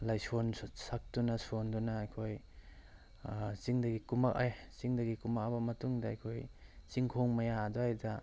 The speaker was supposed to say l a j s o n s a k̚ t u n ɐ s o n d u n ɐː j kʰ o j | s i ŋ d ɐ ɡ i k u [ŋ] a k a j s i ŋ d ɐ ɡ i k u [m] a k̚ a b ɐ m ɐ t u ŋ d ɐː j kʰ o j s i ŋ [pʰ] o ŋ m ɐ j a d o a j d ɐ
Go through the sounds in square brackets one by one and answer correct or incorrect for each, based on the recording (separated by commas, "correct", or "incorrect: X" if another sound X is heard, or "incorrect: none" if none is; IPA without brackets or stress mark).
incorrect: m, correct, incorrect: kʰ